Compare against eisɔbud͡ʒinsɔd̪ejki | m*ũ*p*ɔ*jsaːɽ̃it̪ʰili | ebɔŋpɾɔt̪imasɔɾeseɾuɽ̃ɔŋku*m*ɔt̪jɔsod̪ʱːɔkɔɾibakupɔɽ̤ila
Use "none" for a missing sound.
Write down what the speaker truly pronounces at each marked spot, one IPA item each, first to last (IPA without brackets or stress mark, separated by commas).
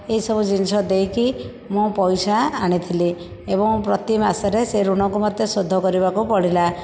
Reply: ũ, ɔ, m